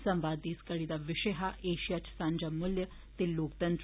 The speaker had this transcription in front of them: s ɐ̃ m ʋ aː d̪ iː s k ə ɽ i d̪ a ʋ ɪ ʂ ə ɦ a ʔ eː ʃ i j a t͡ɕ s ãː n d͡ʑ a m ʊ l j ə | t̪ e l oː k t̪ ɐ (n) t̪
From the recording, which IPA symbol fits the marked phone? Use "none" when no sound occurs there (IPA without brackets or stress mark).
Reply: n